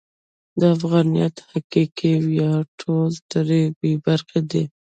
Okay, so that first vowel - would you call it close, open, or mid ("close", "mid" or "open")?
mid